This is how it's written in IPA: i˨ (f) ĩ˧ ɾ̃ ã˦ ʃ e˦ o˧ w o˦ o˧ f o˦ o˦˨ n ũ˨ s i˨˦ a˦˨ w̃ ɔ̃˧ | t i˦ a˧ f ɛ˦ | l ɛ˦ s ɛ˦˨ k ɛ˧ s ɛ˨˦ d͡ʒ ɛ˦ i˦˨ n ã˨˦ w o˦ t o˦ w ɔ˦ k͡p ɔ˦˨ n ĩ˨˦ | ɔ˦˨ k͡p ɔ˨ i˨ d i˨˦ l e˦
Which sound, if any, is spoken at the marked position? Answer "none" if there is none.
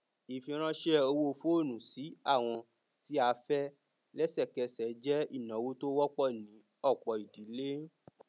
f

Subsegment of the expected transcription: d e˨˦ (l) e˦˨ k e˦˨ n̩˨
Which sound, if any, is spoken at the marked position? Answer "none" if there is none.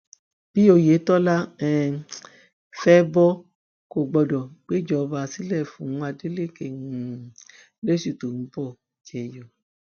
l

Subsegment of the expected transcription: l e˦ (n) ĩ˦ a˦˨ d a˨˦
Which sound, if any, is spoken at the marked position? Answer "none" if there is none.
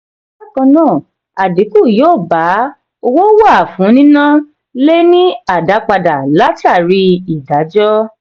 n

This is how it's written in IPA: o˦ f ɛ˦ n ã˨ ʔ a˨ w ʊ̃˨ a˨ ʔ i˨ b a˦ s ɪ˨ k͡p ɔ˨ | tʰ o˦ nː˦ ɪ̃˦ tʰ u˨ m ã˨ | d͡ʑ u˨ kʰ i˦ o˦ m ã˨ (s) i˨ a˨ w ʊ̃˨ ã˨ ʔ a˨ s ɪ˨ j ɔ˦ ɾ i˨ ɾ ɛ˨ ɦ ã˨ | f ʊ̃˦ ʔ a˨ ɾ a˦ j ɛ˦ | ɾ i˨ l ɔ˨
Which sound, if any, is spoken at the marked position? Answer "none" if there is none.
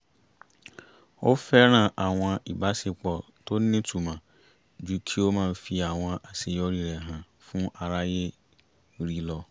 f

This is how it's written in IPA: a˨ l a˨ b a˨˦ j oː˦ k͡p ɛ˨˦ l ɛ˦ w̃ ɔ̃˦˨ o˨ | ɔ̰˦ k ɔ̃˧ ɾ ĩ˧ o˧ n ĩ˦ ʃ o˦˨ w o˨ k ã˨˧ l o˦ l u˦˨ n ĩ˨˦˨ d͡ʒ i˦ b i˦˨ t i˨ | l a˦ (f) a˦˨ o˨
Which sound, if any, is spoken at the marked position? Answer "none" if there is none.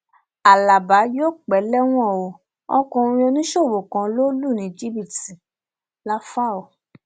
f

